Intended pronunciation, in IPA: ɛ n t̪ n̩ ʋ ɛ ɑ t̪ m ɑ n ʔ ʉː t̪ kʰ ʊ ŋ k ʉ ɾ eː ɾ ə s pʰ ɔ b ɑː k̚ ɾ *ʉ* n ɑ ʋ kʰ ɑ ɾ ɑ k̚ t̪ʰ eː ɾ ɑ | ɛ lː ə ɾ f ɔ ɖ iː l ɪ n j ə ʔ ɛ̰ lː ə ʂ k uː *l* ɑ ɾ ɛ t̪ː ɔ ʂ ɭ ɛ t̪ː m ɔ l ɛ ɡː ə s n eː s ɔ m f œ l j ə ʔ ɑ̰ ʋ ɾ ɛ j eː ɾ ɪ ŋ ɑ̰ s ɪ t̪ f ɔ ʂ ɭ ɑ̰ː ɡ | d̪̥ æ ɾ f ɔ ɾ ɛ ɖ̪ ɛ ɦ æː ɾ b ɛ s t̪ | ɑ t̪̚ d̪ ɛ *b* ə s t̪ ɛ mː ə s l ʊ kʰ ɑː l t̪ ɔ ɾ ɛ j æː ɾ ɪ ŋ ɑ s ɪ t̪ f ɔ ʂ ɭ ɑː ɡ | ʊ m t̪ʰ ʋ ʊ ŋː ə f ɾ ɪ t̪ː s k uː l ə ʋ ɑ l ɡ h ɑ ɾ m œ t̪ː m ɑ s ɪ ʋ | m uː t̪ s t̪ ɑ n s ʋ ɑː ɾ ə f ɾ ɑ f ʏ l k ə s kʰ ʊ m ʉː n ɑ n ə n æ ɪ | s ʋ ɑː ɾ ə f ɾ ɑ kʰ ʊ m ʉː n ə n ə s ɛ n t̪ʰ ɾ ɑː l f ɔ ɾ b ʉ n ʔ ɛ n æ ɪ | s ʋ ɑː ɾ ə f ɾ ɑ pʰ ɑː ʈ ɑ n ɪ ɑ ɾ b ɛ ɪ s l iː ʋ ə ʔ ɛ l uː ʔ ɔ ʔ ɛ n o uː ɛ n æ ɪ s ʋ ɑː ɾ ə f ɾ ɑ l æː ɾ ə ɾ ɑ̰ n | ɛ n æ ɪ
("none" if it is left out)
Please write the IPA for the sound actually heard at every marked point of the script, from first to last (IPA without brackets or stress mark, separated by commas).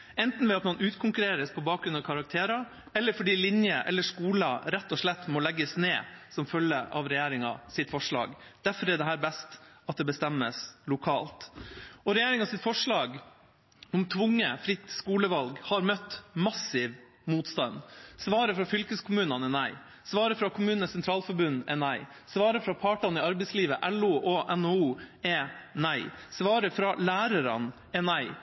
ʉ, l, b